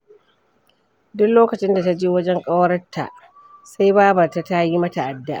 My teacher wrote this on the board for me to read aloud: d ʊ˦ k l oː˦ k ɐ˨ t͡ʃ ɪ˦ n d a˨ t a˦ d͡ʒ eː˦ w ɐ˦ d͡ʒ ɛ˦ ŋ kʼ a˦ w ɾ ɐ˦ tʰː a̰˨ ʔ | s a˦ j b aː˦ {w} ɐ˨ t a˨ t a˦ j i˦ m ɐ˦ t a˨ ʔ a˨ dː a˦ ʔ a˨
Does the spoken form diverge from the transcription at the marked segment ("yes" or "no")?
yes